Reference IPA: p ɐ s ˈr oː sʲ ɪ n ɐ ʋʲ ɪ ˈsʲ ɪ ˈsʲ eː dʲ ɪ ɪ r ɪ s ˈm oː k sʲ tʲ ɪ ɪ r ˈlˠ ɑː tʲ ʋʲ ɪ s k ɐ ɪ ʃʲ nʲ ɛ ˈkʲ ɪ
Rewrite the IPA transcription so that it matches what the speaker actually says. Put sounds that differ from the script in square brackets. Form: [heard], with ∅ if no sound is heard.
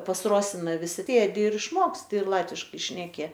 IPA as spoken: p ɐ s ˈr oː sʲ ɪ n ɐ ʋʲ ɪ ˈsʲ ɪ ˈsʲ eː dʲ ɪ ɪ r ɪ [ʃ] ˈm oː k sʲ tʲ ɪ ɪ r ˈlˠ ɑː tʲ ʋʲ ɪ [ʃ] k ɐ ɪ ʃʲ nʲ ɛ ˈkʲ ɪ